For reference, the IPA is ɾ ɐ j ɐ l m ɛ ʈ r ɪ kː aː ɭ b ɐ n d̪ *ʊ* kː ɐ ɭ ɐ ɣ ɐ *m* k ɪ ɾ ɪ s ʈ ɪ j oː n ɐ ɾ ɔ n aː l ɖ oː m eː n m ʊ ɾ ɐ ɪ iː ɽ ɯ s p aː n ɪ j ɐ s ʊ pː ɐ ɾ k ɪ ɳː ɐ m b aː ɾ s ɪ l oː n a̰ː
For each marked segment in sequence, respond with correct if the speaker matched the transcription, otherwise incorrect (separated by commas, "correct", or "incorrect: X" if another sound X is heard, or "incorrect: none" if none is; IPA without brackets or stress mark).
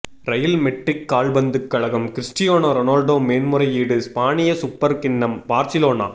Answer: incorrect: ɯ, correct